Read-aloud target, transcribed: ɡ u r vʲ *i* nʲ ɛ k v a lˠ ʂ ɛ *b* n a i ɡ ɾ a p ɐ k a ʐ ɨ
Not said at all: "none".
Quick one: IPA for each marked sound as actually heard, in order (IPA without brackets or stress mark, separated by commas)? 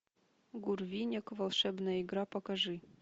i, b